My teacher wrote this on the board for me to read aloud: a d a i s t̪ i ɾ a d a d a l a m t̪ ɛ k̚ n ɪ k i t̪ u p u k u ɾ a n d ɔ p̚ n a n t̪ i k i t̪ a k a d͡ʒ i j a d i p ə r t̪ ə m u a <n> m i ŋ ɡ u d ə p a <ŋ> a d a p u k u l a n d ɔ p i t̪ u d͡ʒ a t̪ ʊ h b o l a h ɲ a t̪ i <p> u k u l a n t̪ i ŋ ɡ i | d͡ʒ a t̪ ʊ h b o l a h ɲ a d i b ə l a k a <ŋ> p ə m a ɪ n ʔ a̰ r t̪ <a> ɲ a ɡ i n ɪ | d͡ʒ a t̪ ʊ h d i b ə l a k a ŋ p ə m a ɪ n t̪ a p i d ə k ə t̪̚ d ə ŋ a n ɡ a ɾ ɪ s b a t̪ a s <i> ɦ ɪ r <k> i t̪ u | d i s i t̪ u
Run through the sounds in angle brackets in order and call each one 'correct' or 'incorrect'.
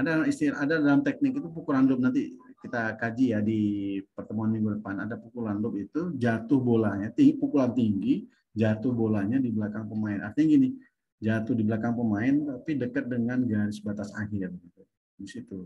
correct, incorrect: n, correct, correct, incorrect: i, incorrect: a, incorrect: ɡ

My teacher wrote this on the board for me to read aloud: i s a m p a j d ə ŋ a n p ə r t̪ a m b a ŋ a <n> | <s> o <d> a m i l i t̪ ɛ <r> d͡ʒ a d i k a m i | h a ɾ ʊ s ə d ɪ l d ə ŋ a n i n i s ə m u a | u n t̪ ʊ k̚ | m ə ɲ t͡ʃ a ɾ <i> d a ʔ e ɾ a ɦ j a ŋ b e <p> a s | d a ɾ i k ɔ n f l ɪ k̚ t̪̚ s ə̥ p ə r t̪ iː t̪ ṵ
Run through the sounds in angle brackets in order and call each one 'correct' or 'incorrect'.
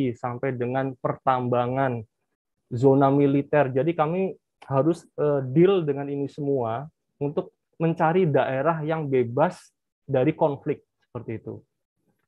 correct, incorrect: z, incorrect: n, correct, correct, incorrect: b

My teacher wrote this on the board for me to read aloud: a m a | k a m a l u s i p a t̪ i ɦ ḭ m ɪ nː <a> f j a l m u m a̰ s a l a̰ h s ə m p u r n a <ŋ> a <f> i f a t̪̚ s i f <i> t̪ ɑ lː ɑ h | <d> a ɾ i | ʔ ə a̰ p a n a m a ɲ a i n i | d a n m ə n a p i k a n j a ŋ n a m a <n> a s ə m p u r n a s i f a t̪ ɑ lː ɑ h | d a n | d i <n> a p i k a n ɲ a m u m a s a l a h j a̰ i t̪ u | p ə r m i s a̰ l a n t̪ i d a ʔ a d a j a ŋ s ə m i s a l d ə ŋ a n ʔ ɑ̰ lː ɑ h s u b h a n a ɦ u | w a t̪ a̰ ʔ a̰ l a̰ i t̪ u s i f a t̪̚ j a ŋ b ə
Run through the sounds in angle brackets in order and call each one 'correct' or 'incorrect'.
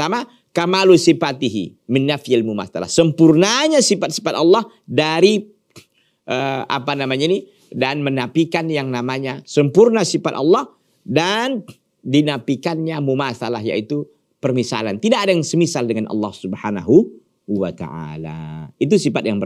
correct, incorrect: ɲ, incorrect: s, incorrect: a, correct, incorrect: ɲ, correct

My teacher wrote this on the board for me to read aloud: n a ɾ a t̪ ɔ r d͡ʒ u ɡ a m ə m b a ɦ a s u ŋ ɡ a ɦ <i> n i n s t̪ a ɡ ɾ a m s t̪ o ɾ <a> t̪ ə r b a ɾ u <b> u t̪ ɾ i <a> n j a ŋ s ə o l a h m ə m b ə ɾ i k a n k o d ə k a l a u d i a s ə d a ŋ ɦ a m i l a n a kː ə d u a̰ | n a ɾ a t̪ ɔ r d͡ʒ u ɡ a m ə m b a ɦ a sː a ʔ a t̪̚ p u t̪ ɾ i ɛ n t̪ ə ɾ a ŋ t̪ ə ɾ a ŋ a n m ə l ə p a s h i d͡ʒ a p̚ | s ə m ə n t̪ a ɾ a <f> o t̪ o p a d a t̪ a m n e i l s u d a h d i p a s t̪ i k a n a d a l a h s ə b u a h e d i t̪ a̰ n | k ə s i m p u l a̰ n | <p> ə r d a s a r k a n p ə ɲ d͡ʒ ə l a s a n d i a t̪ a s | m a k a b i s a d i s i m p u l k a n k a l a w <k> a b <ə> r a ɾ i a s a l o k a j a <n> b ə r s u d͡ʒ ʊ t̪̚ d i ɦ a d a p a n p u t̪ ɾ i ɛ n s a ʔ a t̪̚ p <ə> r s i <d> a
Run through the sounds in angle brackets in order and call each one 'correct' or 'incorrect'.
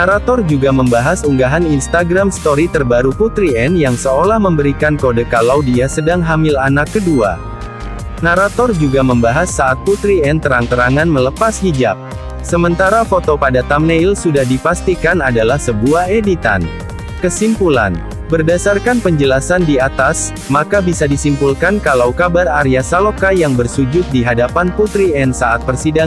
incorrect: a, incorrect: i, incorrect: p, incorrect: ɛ, correct, incorrect: b, correct, incorrect: a, incorrect: ŋ, correct, correct

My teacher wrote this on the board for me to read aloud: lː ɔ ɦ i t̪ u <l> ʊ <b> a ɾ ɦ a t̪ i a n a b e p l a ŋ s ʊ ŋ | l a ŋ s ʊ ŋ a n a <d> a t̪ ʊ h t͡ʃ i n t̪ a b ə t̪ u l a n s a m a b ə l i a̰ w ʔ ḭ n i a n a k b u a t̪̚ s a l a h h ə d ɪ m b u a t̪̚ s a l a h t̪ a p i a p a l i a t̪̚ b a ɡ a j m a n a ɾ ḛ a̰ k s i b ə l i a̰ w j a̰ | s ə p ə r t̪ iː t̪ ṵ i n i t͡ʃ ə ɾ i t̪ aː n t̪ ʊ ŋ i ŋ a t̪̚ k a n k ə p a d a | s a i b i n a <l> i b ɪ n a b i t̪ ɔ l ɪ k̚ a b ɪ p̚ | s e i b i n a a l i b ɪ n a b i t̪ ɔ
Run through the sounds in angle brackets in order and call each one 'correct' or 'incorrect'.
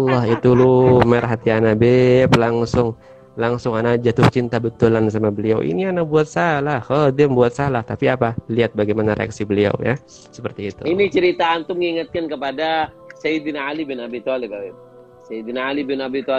correct, incorrect: m, incorrect: d͡ʒ, correct

